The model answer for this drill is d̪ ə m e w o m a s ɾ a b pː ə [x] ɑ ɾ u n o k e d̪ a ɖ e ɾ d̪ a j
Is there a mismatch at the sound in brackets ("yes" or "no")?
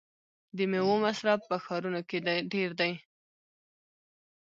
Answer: no